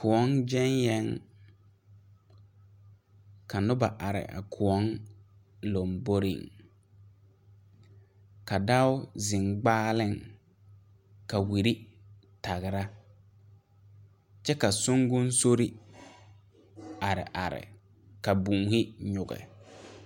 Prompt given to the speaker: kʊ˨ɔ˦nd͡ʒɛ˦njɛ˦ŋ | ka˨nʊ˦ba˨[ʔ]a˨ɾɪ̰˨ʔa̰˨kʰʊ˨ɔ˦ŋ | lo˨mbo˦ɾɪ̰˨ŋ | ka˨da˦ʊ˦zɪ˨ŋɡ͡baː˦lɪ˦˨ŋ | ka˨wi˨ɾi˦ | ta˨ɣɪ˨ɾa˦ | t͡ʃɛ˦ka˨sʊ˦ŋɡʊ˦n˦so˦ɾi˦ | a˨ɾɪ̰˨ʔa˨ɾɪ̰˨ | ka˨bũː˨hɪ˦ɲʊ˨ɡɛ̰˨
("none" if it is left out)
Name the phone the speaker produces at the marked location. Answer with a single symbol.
ʔ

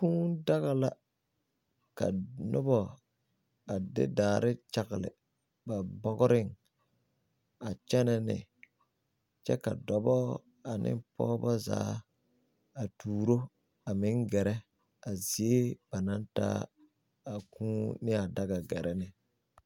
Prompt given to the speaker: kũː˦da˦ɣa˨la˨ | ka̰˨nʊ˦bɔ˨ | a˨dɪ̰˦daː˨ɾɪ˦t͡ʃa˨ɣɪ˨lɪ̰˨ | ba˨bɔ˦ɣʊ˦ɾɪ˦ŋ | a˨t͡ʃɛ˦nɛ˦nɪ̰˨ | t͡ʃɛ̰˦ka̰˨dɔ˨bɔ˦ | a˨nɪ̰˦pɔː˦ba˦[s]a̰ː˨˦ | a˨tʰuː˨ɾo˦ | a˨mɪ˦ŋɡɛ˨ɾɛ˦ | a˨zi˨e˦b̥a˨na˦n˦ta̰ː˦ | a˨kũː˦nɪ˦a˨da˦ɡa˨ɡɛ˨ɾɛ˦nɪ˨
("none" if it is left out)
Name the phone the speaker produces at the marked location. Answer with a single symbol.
z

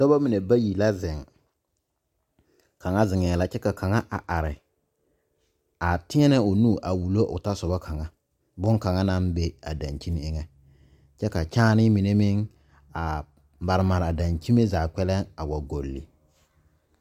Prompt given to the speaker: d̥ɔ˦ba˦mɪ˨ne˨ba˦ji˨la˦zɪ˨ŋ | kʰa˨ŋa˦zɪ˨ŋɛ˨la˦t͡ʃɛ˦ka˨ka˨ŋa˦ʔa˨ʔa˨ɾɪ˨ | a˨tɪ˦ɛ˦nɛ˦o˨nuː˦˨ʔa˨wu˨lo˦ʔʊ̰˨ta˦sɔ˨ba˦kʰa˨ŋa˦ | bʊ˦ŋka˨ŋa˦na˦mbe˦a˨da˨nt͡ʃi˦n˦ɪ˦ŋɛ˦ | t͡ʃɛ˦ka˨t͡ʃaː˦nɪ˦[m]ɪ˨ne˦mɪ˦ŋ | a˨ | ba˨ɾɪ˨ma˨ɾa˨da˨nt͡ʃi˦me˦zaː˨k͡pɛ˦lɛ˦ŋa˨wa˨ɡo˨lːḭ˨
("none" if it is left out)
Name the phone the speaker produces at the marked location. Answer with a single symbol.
m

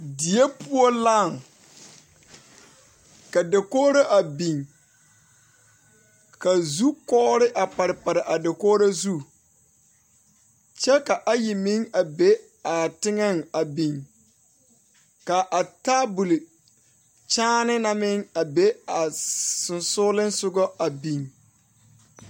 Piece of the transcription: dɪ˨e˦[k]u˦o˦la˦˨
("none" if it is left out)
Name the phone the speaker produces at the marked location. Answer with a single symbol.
p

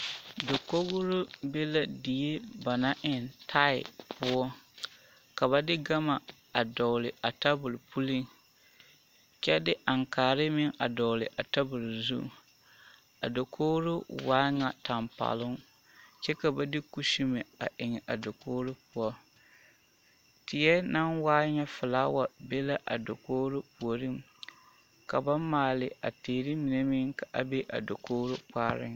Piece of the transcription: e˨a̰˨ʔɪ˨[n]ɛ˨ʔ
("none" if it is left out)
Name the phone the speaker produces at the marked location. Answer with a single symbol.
ŋ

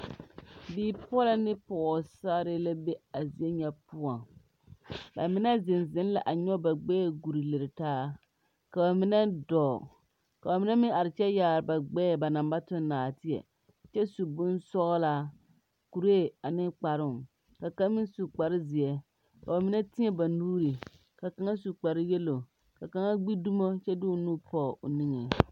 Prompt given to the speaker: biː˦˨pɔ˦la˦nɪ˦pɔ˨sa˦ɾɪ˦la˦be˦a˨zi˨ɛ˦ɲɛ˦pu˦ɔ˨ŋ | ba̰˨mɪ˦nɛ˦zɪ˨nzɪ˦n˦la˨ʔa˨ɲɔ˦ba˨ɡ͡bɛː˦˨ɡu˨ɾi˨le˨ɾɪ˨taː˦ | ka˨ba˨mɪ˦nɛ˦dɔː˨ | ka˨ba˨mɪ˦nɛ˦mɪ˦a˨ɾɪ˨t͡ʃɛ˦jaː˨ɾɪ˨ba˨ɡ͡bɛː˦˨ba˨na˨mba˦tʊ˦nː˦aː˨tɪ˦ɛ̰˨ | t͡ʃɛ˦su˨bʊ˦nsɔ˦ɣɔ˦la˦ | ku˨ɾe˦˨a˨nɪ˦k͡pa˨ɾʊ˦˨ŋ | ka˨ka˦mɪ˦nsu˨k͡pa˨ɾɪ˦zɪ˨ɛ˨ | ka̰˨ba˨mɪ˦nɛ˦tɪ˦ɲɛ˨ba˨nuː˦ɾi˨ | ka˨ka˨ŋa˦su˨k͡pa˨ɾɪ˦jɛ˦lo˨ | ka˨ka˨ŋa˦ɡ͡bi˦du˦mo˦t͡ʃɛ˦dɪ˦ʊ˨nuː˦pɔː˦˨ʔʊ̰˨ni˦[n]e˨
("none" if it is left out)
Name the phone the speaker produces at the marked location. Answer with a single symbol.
ŋ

